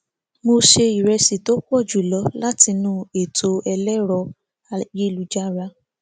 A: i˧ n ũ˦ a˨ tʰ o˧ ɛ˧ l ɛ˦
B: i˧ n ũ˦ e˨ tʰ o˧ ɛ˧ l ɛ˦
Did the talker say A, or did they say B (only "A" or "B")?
B